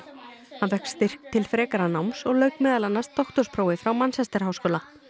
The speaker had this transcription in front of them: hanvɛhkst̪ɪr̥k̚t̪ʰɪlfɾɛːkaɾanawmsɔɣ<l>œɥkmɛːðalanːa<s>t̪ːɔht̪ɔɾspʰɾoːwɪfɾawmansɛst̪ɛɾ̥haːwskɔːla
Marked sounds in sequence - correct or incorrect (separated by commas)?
correct, correct